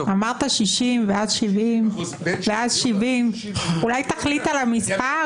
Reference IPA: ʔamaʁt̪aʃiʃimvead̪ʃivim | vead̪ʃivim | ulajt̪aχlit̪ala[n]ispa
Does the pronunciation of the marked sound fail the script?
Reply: yes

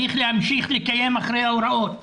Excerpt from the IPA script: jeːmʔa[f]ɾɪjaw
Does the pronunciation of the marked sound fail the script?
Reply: yes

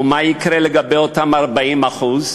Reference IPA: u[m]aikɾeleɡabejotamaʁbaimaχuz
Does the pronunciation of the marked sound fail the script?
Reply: no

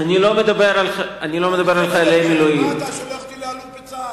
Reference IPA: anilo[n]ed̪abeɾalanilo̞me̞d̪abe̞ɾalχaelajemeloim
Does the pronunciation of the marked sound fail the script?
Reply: yes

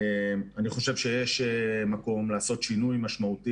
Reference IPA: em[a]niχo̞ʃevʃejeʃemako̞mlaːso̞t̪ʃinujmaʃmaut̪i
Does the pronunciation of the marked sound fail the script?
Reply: no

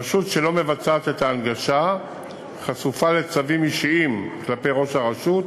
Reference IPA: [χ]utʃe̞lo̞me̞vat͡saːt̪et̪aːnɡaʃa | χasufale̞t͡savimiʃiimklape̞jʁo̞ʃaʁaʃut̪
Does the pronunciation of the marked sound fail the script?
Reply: yes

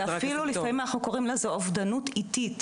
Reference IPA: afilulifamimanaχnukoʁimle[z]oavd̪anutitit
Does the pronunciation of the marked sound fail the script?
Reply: no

